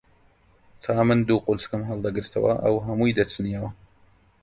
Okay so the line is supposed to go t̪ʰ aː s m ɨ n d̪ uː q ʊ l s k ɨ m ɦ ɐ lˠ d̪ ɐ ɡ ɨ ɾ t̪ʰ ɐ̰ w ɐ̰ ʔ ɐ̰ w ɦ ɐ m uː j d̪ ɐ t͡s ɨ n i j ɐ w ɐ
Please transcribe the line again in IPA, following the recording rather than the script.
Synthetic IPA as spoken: t̪ʰ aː m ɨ n d̪ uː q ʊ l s k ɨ m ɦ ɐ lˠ d̪ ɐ ɡ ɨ ɾ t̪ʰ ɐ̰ w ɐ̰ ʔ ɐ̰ w ɦ ɐ m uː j d̪ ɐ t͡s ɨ n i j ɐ w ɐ